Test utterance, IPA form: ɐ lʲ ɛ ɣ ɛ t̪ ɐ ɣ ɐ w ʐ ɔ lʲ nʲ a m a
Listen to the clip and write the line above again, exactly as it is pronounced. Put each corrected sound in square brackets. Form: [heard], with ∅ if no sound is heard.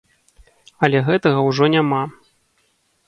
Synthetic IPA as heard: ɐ lʲ ɛ ɣ ɛ t̪ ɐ ɣ ɐ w ʐ ɔ [∅] nʲ a m a